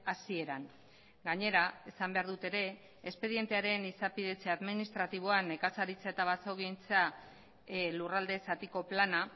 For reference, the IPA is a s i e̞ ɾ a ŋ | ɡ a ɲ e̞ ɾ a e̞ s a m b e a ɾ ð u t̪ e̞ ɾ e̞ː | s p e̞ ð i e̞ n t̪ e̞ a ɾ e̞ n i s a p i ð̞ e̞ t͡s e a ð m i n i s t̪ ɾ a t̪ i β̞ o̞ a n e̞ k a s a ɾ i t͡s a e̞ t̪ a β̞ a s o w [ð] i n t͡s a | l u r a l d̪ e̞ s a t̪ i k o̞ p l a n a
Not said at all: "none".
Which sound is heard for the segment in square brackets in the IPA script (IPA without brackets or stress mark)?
ɣ